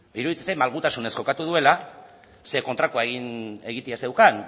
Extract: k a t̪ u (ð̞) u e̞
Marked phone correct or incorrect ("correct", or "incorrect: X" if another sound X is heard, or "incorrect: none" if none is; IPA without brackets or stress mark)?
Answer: correct